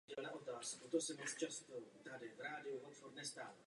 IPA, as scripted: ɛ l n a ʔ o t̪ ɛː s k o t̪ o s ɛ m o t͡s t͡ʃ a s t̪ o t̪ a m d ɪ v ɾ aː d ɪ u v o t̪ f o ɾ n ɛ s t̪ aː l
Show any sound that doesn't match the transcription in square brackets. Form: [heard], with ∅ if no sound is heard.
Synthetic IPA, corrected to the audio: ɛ l n a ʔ o t̪ [aː] s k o t̪ o s ɛ m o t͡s t͡ʃ a s t̪ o t̪ a [∅] d ɪ v ɾ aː d ɪ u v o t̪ f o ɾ n ɛ s t̪ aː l